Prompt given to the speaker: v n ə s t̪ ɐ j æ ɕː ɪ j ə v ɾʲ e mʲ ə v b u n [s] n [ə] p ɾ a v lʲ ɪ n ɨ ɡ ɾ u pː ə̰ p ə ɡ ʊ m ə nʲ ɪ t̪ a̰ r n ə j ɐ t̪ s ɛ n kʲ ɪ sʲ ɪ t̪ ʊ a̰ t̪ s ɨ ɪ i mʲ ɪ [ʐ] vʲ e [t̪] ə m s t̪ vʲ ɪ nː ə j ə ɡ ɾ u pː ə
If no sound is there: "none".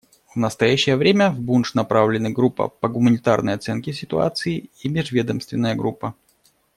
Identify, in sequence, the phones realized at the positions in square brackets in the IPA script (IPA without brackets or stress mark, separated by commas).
ʂ, ɐ, ʐ, d̪